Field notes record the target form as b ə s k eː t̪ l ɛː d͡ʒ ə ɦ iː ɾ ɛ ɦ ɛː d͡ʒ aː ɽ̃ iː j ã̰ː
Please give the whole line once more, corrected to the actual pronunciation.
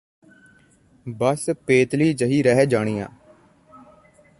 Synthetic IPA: b ə s p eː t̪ l iː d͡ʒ ə ɦ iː ɾ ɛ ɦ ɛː d͡ʒ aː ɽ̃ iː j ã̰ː

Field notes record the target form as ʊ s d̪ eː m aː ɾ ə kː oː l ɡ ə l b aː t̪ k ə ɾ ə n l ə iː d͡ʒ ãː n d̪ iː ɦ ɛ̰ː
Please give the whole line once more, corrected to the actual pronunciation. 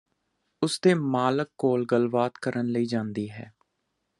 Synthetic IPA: ʊ s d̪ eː m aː l ə kː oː l ɡ ə l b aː t̪ k ə ɾ ə n l ə iː d͡ʒ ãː n d̪ iː ɦ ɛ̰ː

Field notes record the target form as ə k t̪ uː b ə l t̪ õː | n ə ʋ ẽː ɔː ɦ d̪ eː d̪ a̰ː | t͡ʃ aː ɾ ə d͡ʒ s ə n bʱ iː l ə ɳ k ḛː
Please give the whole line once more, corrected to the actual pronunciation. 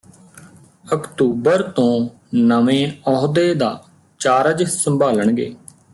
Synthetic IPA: ə k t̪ uː b ə ɾ t̪ õː | n ə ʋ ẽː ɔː ɦ d̪ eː d̪ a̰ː | t͡ʃ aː ɾ ə d͡ʒ s ə m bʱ aː l ə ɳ ɡ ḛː

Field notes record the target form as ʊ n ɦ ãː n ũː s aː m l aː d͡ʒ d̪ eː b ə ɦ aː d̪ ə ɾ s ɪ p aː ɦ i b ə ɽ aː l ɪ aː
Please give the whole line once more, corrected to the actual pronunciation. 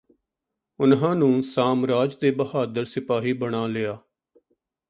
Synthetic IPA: ʊ n ɦ ãː n ũː s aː m ɾ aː d͡ʒ d̪ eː b ə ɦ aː d̪ ə ɾ s ɪ p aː ɦ iː b ə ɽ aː l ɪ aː

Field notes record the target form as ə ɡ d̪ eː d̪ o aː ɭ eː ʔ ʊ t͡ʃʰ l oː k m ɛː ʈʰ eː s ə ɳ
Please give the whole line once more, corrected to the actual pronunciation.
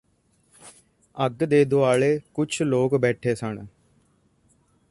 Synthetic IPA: ə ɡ d̪ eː d̪ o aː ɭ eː k ʊ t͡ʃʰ l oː k b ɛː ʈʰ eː s ə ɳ

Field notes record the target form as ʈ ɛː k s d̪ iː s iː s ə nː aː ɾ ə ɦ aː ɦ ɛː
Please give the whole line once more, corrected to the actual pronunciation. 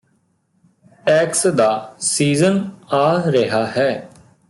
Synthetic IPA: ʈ ɛː k s d̪ aː s iː z ə n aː ɾ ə ɦ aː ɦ ɛː

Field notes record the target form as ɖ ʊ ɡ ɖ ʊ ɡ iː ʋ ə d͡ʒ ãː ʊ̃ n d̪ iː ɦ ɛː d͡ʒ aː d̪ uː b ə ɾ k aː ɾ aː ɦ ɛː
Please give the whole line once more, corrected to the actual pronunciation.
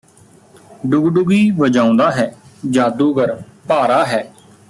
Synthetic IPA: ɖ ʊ ɡ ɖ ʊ ɡ iː ʋ ə d͡ʒ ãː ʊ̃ n d̪ aː ɦ ɛː d͡ʒ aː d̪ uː ɡ ə ɾ p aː ɾ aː ɦ ɛː

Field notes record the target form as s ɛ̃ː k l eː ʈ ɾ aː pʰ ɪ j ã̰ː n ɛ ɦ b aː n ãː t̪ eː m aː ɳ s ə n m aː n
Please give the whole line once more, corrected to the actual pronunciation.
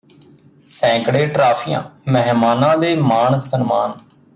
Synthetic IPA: s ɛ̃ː k ɽ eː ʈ ɾ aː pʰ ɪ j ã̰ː m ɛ ɦ m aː n ãː d̪ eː m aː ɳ s ə n m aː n

